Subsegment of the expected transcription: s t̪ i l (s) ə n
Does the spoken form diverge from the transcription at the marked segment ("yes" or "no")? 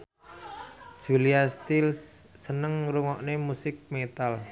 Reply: yes